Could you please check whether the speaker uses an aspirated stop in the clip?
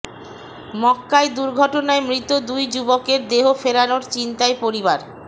no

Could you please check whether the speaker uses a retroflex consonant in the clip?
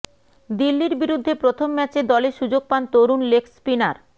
no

